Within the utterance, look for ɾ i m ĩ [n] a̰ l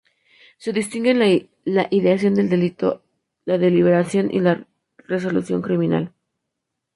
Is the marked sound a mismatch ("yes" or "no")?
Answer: no